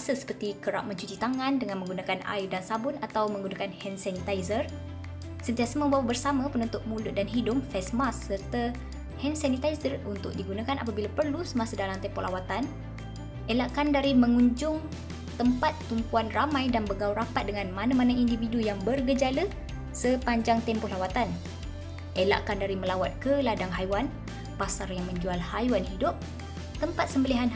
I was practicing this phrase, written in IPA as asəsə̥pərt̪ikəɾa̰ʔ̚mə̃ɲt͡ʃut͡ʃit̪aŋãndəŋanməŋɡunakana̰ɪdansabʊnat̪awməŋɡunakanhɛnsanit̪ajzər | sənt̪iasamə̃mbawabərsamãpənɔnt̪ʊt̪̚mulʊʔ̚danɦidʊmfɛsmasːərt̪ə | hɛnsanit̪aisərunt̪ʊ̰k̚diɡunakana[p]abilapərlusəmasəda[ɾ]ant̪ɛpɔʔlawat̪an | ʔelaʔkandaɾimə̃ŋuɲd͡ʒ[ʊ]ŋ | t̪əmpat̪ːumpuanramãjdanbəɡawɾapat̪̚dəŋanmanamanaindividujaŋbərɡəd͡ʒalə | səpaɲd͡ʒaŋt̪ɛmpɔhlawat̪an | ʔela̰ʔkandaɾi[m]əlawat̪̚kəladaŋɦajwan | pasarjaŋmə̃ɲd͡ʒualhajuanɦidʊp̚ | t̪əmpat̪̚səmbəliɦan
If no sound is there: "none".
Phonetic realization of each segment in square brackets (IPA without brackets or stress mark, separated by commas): p, l, ʊ, m